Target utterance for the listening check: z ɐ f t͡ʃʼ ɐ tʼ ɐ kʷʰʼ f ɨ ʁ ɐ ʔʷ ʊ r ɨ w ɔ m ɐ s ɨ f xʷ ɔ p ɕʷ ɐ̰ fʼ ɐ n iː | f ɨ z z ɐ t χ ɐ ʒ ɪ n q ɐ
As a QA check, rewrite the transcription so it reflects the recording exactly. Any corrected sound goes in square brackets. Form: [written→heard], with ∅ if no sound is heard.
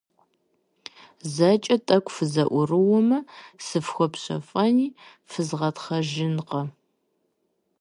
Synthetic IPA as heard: z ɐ [f→∅] t͡ʃʼ ɐ tʼ ɐ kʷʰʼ f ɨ [ʁ→z] ɐ ʔʷ ʊ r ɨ w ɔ m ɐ s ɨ f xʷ ɔ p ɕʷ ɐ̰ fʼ ɐ n iː | f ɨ z [z→ʁ] ɐ t χ ɐ ʒ ɪ n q ɐ